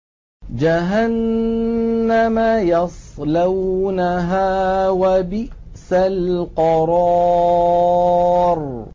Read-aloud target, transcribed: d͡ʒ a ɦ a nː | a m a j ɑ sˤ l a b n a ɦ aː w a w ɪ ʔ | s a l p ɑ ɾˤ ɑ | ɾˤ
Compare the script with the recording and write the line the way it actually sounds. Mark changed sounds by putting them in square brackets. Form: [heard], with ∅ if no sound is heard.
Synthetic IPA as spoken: d͡ʒ a ɦ a nː | a m a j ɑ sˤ l a [w] n a ɦ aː w a [b] ɪ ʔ | s a l [q] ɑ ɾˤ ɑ | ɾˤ